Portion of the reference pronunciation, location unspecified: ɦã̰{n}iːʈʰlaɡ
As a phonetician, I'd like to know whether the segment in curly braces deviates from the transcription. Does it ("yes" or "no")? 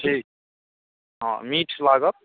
yes